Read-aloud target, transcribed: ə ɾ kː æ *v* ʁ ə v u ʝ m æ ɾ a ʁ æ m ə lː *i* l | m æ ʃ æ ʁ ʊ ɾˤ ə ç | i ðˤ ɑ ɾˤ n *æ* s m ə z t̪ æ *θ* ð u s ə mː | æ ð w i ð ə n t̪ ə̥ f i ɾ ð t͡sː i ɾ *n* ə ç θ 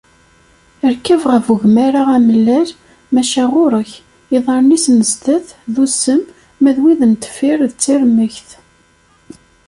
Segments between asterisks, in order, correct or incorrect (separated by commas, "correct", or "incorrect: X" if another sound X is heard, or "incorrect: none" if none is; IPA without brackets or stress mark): correct, incorrect: æ, incorrect: i, correct, incorrect: m